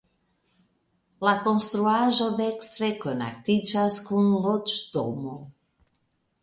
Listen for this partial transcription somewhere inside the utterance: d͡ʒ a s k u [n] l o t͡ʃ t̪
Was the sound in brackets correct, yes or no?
yes